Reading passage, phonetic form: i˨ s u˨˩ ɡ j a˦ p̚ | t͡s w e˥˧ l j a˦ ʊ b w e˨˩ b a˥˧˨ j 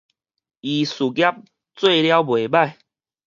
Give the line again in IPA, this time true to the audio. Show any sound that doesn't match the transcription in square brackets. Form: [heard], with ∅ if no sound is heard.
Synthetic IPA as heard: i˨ s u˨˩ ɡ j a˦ p̚ | t͡s w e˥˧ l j a˦ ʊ b w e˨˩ b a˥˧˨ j